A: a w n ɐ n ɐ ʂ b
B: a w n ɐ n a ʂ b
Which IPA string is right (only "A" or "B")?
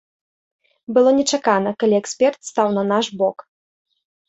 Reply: B